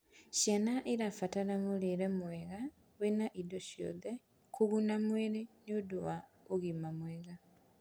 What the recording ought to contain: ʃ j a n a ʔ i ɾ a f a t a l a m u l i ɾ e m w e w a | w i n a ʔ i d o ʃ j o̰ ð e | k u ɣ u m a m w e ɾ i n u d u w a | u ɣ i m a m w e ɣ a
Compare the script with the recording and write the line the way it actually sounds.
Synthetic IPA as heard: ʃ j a n a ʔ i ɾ a f a t a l a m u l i ɾ e m w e ɣ a | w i n a ʔ i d o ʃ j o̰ ð e | k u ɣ u n a m w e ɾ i n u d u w a | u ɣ i m a m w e ɣ a